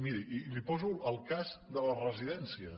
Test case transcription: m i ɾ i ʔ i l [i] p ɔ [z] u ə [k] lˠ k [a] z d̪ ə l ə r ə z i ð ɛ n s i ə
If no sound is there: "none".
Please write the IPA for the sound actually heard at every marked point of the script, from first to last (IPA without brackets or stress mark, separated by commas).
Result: i, z, none, a